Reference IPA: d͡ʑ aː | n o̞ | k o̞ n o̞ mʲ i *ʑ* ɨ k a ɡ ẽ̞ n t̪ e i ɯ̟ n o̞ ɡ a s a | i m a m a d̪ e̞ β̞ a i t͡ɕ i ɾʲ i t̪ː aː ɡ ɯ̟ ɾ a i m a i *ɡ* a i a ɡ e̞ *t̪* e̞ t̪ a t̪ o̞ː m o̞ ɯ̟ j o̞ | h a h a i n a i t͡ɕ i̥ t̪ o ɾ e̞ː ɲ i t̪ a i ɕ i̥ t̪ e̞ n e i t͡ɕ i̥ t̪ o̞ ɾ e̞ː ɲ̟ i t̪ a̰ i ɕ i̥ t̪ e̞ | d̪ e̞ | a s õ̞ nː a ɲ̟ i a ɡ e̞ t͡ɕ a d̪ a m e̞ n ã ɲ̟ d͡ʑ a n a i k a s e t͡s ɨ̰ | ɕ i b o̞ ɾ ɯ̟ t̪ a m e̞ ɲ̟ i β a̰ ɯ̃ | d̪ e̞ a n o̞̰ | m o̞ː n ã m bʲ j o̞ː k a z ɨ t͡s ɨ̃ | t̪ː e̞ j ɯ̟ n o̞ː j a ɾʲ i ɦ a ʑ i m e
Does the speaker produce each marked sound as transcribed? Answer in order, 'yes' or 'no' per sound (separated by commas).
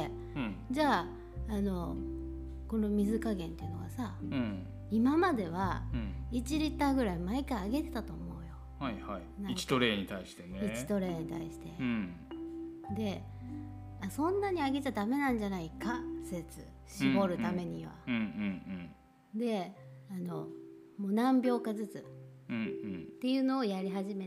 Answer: no, no, yes